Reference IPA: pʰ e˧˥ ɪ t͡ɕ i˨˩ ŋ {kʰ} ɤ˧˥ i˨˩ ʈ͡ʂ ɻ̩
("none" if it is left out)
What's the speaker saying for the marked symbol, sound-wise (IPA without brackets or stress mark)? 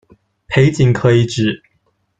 kʰ